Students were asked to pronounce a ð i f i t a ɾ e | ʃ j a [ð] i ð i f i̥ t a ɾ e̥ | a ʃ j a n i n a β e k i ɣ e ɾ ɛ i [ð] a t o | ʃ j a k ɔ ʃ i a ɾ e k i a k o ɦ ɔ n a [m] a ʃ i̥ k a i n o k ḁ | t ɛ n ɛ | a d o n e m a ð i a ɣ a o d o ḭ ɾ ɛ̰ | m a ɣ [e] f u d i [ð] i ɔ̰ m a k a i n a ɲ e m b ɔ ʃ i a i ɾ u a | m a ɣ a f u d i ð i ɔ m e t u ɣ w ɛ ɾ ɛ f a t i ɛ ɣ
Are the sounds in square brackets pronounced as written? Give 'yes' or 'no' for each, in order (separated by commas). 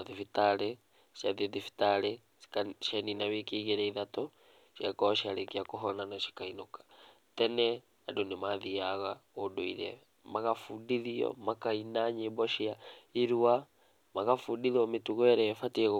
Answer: yes, yes, no, no, yes